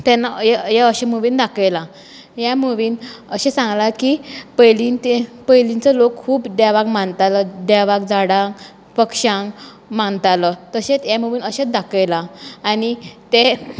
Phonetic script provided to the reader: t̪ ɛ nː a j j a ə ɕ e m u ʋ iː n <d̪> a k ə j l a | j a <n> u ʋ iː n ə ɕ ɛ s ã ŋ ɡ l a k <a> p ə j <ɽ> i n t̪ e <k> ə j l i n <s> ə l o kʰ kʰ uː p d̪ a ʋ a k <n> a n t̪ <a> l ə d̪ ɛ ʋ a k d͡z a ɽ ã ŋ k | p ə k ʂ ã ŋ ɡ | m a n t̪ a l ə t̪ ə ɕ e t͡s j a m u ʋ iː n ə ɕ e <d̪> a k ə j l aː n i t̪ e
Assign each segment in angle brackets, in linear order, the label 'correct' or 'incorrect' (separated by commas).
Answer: correct, incorrect, incorrect, incorrect, incorrect, incorrect, incorrect, correct, correct